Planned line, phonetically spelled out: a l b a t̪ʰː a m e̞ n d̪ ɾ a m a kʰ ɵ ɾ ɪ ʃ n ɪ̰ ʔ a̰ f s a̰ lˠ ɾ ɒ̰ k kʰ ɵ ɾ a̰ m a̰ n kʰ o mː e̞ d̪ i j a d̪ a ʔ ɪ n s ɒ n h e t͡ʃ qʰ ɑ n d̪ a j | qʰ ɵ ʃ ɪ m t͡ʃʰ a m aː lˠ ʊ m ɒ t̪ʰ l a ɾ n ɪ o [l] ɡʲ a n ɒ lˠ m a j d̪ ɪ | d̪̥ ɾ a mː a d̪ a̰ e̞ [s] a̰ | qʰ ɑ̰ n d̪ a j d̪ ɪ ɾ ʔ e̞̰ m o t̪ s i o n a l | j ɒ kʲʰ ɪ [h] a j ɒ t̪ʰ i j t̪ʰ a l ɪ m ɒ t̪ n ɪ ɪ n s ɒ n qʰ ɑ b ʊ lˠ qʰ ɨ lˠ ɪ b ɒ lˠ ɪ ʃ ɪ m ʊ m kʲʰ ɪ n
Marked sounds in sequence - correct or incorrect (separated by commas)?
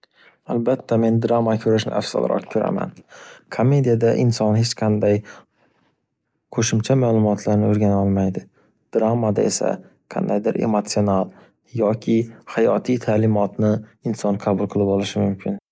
incorrect, correct, correct